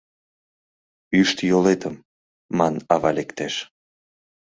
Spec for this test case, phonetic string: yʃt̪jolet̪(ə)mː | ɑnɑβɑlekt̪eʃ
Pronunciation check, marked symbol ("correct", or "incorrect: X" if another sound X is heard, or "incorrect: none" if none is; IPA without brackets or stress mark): correct